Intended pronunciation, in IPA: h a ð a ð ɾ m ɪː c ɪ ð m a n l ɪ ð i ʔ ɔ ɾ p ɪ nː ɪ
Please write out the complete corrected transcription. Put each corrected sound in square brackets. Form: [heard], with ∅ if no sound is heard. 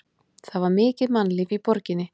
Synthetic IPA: [θ] a [v] a [∅] ɾ m ɪː c ɪ ð m a n l ɪ [v] i [p] ɔ ɾ [c] ɪ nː ɪ